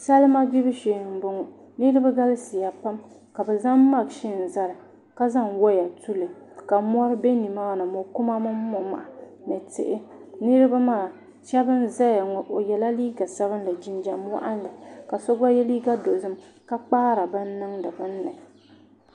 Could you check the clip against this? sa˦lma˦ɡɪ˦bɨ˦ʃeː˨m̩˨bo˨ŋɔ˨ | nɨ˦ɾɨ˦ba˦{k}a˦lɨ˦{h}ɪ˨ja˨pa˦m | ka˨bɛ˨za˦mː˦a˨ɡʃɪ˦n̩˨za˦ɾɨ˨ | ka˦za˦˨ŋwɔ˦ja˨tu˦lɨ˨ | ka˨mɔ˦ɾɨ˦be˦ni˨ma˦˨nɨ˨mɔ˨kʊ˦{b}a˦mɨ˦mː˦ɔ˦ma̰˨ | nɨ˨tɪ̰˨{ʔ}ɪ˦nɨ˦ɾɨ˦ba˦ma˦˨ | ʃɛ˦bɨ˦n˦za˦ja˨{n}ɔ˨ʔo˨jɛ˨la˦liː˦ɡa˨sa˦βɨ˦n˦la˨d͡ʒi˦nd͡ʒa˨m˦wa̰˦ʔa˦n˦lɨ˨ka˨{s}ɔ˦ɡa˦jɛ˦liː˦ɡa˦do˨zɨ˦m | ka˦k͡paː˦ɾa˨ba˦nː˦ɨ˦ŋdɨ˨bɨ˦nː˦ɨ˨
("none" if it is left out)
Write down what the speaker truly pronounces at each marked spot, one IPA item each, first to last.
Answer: ɡ, s, m, ʔ, ŋ, s

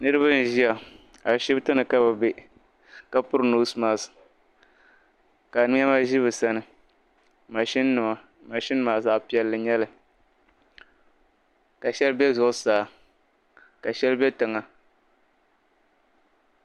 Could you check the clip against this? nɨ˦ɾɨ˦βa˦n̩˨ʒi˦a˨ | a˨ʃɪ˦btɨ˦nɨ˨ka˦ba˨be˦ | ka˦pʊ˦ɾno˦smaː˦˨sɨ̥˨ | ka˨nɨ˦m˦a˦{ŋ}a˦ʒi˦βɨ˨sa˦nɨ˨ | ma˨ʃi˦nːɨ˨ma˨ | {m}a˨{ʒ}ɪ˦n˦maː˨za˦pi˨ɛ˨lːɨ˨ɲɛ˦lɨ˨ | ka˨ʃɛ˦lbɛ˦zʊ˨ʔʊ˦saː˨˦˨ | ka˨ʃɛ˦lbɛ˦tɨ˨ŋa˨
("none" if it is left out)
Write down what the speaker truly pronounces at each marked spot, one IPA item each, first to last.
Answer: m, m, ʃ

